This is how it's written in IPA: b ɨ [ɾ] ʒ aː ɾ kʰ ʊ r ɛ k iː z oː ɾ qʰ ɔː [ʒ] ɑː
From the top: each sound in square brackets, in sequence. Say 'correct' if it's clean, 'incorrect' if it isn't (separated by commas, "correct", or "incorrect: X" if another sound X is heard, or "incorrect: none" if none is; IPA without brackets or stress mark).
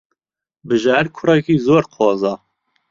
incorrect: none, incorrect: z